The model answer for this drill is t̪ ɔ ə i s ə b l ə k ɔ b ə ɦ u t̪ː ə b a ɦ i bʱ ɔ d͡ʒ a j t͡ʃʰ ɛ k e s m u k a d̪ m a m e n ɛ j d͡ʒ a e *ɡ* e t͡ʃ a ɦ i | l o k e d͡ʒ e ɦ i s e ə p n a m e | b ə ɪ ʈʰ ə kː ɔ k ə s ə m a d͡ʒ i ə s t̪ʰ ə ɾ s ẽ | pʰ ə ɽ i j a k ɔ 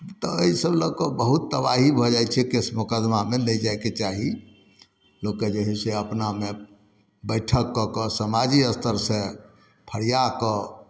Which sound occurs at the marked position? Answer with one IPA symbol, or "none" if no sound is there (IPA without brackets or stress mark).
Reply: k